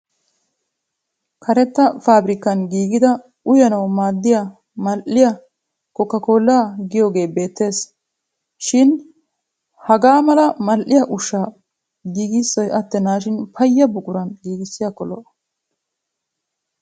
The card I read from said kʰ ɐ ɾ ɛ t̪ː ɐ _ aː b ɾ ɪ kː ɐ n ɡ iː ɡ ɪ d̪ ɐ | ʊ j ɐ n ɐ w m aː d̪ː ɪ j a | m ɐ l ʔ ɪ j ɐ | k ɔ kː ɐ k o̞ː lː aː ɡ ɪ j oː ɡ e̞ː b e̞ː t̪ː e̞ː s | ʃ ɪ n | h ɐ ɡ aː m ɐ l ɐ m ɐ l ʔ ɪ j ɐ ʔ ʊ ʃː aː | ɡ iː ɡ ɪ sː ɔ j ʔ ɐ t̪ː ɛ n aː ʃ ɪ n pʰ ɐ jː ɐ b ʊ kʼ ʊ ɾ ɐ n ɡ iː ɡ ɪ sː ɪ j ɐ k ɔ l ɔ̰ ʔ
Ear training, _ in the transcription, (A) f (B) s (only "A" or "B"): A